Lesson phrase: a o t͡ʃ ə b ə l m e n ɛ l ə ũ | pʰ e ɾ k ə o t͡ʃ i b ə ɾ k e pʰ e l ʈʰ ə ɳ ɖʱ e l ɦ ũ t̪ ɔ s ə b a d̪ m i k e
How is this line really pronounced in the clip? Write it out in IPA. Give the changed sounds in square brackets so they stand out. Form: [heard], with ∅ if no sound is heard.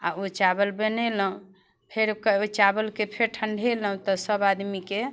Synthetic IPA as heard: a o t͡ʃ [a] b ə l [b] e n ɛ l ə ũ | pʰ e ɾ k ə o t͡ʃ [a] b ə [l] k e pʰ e [ɾ] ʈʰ ə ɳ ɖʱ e l ɦ ũ t̪ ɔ s ə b a d̪ m i k e